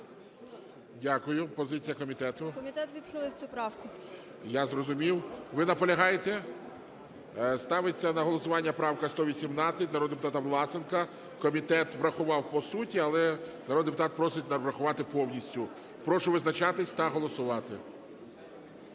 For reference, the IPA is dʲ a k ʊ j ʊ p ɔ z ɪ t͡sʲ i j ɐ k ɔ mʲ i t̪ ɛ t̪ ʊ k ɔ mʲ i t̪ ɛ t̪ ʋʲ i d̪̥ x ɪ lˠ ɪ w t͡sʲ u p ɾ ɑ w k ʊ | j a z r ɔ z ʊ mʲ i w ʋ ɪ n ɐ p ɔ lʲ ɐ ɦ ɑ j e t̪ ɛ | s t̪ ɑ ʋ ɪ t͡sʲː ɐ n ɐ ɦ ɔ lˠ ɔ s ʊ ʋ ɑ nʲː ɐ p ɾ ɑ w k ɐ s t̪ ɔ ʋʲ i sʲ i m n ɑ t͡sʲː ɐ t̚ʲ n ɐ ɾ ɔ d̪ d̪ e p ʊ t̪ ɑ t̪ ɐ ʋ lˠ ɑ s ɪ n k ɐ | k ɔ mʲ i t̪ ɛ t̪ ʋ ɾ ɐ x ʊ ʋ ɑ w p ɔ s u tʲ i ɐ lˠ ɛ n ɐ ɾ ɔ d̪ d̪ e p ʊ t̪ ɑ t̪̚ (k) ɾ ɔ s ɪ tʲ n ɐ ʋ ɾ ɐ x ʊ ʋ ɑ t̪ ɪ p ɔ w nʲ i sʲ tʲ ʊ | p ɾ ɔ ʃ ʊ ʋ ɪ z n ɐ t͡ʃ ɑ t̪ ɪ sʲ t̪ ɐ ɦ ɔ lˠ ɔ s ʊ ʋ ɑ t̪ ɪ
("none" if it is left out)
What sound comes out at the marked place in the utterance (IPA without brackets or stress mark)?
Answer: p